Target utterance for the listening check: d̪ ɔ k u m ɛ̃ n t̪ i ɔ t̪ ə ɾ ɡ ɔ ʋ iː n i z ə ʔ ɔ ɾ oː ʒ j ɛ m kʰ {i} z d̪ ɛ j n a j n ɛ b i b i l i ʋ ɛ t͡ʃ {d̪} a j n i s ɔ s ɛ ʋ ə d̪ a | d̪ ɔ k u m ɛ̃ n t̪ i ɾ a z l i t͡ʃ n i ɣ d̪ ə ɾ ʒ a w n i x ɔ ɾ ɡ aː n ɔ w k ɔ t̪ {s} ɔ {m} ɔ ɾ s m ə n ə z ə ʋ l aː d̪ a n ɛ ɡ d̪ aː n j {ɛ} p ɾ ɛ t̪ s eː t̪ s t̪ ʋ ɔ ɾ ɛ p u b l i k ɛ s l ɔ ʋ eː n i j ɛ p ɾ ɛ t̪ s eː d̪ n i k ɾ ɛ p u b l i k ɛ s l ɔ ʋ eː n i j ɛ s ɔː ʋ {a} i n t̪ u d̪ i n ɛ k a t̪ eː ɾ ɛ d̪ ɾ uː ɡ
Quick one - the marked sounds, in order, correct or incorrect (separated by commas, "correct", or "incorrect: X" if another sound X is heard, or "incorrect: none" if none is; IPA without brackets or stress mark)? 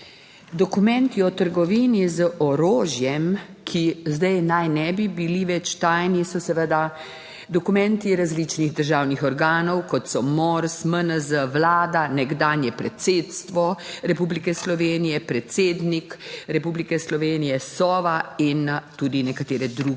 correct, incorrect: t̪, correct, correct, correct, correct